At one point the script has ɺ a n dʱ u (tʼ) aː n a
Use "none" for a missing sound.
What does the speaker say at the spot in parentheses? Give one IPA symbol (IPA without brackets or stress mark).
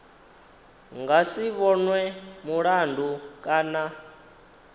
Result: kʼ